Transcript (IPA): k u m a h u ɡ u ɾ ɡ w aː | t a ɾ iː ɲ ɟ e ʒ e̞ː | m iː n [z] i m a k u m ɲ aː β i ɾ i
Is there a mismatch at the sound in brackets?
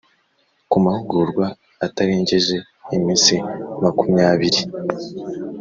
yes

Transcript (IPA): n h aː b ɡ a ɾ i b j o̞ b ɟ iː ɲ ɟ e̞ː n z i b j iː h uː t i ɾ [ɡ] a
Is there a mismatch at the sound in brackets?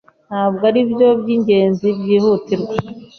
no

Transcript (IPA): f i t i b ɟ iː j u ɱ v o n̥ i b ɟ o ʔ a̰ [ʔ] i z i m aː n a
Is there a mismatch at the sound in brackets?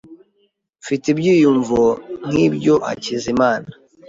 yes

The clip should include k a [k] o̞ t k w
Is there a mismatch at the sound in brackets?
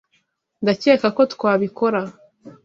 no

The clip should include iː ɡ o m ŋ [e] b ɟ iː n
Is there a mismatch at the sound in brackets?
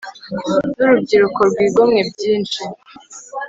no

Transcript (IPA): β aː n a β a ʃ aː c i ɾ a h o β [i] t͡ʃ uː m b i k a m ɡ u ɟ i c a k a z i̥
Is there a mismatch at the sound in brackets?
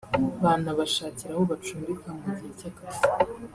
yes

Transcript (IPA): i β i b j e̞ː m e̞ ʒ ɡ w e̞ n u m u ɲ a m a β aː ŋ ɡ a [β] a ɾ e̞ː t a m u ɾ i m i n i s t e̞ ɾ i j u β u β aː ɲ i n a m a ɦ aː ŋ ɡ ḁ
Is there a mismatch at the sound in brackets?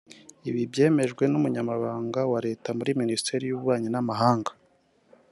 yes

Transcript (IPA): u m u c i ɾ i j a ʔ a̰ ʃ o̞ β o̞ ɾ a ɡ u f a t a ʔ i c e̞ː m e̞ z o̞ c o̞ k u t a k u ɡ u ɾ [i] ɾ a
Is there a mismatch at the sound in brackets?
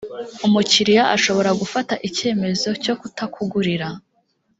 no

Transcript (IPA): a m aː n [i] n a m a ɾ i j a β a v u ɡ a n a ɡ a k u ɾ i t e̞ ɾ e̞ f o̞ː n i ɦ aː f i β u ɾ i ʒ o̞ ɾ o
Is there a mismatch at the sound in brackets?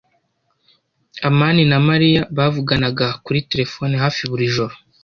no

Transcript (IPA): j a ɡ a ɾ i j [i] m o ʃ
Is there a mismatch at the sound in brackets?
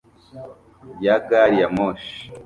yes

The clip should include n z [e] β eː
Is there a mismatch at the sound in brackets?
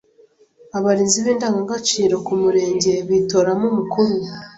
yes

